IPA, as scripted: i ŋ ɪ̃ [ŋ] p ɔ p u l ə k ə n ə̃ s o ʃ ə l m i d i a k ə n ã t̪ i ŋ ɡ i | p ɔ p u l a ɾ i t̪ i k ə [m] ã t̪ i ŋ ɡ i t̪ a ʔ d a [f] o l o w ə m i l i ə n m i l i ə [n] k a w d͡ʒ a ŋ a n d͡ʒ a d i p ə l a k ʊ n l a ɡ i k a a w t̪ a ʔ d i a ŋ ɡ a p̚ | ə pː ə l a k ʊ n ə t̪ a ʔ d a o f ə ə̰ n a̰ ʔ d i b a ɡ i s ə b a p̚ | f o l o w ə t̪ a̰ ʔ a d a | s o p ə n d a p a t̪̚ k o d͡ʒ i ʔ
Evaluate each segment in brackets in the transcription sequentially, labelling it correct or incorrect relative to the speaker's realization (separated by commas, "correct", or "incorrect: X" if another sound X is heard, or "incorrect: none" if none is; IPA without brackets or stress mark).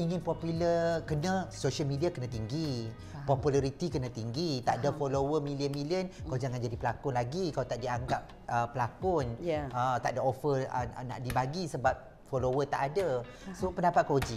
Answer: incorrect: n, incorrect: n, correct, correct